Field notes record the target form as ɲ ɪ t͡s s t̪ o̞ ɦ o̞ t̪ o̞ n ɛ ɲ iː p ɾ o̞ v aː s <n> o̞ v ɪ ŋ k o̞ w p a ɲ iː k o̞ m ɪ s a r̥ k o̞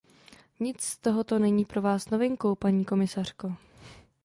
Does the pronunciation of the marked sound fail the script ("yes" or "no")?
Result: no